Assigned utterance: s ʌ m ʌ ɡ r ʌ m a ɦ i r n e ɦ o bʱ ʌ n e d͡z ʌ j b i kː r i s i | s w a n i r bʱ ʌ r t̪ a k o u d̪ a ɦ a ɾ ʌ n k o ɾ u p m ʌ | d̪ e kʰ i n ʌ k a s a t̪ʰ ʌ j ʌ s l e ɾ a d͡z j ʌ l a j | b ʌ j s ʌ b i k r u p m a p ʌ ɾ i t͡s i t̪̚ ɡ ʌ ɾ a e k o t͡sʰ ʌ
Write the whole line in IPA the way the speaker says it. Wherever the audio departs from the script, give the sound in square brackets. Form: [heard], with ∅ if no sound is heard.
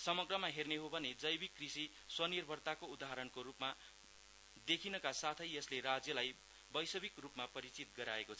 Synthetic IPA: s ʌ m ʌ ɡ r ʌ m a ɦ [e] r n e ɦ o bʱ ʌ n e d͡z ʌ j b i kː r i s i | s w [ʌ] n i r bʱ ʌ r t̪ a k o u d̪ a ɦ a ɾ ʌ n k o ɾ u p m [a] | d̪ e kʰ i n ʌ k a s a t̪ʰ ʌ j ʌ s l e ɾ a d͡z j ʌ l a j | b ʌ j s ʌ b i k r u p m a p ʌ ɾ i t͡s i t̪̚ ɡ ʌ ɾ a e k o t͡sʰ ʌ